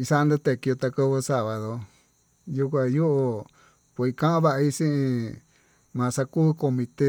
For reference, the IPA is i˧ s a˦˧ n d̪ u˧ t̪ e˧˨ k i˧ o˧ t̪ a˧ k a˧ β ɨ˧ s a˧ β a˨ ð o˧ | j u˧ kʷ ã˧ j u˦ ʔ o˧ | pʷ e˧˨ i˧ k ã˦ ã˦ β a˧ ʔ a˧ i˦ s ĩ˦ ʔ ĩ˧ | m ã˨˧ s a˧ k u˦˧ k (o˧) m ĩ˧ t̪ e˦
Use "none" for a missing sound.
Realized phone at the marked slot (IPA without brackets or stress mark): o˧